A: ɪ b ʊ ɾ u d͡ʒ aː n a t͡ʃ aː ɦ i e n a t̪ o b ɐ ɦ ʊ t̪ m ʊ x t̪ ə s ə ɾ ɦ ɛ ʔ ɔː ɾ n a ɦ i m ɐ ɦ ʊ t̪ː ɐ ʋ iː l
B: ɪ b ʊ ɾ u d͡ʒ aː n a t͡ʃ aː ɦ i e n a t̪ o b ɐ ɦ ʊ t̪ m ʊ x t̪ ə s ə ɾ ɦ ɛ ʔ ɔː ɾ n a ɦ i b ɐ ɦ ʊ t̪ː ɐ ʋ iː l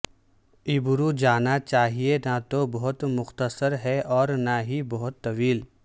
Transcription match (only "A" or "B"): B